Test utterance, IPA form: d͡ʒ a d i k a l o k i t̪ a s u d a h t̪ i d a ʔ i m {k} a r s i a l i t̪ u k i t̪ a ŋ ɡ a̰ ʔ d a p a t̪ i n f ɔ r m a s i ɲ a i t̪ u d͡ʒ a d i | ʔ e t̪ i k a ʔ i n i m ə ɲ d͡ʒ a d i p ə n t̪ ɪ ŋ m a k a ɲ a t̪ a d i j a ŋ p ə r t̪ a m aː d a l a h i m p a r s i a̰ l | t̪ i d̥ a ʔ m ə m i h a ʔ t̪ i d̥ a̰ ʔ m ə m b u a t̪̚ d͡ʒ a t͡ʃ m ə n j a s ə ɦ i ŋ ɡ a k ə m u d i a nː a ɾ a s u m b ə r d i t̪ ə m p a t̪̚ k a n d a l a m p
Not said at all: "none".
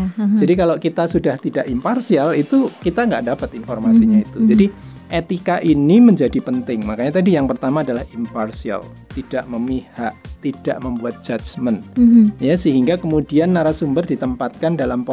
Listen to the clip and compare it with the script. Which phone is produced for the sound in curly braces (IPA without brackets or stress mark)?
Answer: p